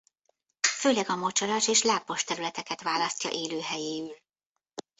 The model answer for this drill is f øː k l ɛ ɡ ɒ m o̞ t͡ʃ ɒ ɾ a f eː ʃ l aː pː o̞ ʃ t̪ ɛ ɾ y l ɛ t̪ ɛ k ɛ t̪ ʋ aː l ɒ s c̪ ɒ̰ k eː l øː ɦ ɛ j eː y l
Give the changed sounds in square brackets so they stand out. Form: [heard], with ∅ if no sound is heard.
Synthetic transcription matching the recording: f øː [∅] l ɛ ɡ ɒ m o̞ t͡ʃ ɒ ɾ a [ʃ] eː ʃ l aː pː o̞ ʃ t̪ ɛ ɾ y l ɛ t̪ ɛ k ɛ t̪ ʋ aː l ɒ s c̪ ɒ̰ [ʔ] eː l øː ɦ ɛ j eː y l